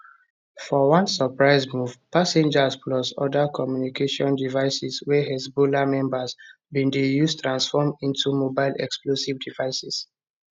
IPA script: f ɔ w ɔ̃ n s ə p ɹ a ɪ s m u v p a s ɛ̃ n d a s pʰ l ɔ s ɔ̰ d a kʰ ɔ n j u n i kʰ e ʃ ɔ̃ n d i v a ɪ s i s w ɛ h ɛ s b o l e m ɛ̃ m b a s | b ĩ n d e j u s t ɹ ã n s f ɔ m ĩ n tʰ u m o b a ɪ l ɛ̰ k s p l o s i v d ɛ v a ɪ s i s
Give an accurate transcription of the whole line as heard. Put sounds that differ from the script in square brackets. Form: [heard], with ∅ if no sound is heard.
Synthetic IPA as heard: f ɔ w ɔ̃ n s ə p ɹ a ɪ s m u v p a s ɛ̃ n [d͡ʒ] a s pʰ l ɔ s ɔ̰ d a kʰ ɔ [m] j u n i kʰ e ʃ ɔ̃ n d i v a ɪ s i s w ɛ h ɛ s b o l [a] m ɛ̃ m b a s | b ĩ n d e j u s t ɹ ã n s f ɔ m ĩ n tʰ u m o b a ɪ l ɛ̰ k s p l o s i v d [i] v a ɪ s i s

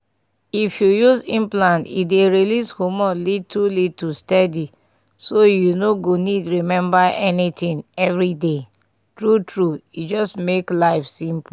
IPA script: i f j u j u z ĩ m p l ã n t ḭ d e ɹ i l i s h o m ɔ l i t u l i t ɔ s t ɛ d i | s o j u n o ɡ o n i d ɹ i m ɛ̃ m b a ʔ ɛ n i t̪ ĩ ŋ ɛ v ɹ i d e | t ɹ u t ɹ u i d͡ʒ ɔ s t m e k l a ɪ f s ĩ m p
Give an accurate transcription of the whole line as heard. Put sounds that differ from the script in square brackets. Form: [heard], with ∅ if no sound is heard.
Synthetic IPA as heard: i f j u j u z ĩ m p l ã n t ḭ d e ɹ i l i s h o m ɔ l i t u l i t [u] s t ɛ d i | s o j u n o ɡ o n i d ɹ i m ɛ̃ m b a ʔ ɛ n i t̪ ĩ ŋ ɛ v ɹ i d e | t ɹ u t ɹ u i d͡ʒ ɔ s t m e k l a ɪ f s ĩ m p

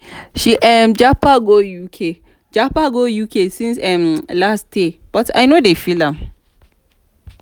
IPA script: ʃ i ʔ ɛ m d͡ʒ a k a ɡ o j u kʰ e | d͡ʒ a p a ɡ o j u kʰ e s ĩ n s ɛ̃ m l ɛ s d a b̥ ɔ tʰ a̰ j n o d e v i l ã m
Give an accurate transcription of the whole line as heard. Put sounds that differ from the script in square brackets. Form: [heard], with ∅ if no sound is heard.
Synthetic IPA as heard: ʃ i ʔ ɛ m d͡ʒ a [p] a ɡ o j u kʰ e | d͡ʒ a p a ɡ o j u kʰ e s ĩ n s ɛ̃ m l [a] s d [e] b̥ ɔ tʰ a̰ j n o d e [f] i l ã m

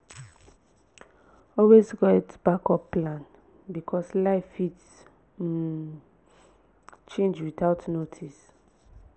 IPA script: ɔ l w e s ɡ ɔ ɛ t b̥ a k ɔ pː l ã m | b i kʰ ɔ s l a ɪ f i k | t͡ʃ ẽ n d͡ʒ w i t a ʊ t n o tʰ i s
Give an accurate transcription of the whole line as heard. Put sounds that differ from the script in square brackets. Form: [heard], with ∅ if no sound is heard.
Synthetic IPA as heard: ɔ l w e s ɡ ɔ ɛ t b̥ a k ɔ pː l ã [n] | b i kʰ ɔ s l a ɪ f i [t] | t͡ʃ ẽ n d͡ʒ w i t a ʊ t n o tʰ i s

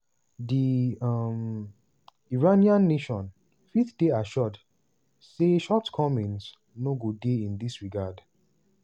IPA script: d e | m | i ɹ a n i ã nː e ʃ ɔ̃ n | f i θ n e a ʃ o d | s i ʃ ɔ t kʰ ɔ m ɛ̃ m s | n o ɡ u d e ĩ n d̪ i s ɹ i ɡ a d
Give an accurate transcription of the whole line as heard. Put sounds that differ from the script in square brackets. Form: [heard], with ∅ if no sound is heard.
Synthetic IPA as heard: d [i] | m | i ɹ a n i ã nː e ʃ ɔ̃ n | f i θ [d] e a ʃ [ɔ] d | s [e] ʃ ɔ t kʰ ɔ m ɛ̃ [n] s | n o ɡ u d e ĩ n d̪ i s ɹ i ɡ a d

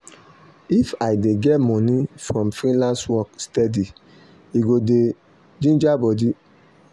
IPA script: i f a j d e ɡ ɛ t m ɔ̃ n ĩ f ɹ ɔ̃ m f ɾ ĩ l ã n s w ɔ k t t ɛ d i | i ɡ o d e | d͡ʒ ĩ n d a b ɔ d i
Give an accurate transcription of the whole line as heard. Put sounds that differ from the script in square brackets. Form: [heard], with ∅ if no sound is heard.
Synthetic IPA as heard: i f a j d e ɡ ɛ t m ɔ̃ n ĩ f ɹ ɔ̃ m f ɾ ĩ l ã n s w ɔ k [s] t ɛ d i | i ɡ o d e | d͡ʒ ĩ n [d͡ʒ] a b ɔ d i

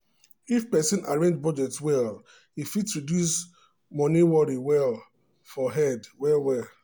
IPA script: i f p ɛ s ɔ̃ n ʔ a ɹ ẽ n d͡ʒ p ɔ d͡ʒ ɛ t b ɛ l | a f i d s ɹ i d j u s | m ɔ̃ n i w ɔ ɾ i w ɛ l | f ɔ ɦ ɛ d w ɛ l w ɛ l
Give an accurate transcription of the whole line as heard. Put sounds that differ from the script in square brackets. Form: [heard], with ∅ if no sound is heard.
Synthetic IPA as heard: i f p ɛ s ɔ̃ n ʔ a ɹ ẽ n d͡ʒ [b] ɔ d͡ʒ ɛ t [w] ɛ l | [i] f i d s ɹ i d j u s | m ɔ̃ n i w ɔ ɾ i w ɛ l | f ɔ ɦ ɛ d w ɛ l w ɛ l

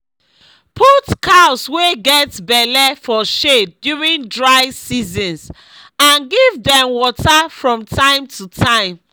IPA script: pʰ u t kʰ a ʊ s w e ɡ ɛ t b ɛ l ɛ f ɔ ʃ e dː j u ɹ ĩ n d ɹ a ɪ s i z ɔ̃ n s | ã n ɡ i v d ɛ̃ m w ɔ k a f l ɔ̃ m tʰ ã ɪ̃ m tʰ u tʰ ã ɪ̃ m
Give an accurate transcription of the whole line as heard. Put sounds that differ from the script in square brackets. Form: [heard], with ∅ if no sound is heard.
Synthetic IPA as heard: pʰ u t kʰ a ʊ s w e ɡ ɛ t b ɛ l ɛ f ɔ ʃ e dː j u ɹ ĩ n d ɹ a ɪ s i z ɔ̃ n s | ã n ɡ i v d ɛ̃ m w ɔ [t] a f [ɹ] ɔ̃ m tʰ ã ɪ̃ m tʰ u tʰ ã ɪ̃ m

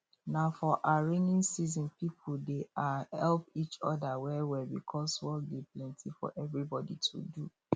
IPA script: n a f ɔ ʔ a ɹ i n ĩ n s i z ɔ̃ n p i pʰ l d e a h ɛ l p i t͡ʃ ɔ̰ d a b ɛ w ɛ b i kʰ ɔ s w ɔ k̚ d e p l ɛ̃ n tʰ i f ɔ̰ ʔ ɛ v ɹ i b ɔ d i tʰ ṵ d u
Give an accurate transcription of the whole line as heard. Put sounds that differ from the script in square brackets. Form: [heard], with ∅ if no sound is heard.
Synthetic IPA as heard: n a f ɔ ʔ a ɹ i n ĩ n s i z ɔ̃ n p i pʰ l d e a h ɛ l p i t͡ʃ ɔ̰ d a [w] ɛ w ɛ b i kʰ ɔ s w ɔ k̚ d e p l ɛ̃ n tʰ i f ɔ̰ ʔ ɛ v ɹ i b ɔ d i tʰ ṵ d u

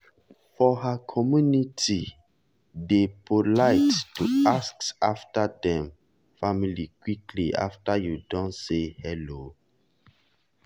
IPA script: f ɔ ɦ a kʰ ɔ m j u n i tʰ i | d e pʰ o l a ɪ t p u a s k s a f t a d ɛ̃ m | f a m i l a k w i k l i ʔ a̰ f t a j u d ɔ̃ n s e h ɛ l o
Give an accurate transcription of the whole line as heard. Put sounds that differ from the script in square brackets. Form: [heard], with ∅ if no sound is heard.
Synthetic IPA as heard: f ɔ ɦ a kʰ ɔ m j u n i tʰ i | d e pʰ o l a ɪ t [t] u a s k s a f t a d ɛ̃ m | f a m i l [i] k w i k l i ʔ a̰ f t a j u d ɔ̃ n s e h ɛ l o

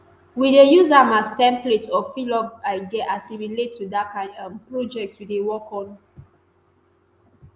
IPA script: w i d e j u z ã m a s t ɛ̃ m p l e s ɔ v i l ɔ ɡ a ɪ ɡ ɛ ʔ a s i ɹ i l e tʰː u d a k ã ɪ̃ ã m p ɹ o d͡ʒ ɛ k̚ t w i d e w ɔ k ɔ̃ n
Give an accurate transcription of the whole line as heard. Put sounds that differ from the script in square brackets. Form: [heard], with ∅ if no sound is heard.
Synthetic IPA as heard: w i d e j u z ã m a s t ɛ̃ m p l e [t] ɔ [f] i l ɔ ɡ a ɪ ɡ ɛ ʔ a s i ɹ i l e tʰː u d a k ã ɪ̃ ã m p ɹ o d͡ʒ ɛ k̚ t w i d e w ɔ k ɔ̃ n

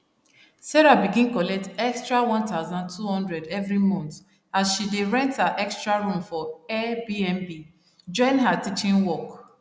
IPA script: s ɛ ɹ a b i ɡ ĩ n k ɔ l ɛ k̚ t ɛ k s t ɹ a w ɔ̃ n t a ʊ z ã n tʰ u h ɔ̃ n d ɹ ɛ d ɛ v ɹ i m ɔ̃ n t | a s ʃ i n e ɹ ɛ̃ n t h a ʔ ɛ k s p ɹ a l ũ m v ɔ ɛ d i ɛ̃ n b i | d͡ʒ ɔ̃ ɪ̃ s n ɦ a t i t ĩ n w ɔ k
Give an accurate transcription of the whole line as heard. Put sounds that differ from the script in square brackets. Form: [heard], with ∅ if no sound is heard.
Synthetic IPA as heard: s ɛ ɹ a b i ɡ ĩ n k ɔ l ɛ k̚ t ɛ k s t ɹ a w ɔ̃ n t a ʊ z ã n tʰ u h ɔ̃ n d ɹ ɛ d ɛ v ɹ i m ɔ̃ n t | a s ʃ i [d] e ɹ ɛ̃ n t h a ʔ ɛ k s [t] ɹ a [ɹ] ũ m [f] ɔ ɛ [b] i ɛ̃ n b i | d͡ʒ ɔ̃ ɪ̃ [∅] n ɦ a t i [t͡ʃ] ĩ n w ɔ k

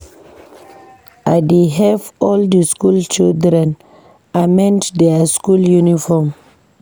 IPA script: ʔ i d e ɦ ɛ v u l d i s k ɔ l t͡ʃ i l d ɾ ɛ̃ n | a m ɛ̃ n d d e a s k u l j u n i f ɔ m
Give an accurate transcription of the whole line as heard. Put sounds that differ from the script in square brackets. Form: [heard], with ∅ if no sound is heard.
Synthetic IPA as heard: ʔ [a] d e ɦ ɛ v [ɔ] l d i s k [u] l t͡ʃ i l d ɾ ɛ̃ n | a m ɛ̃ n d d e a s k u l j u n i f ɔ m

